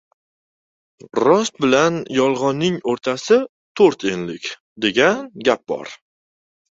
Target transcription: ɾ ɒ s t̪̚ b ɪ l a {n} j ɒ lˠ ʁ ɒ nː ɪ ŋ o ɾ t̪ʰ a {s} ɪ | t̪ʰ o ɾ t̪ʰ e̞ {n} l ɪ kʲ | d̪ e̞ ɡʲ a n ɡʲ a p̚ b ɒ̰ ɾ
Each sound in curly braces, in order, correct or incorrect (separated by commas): correct, correct, correct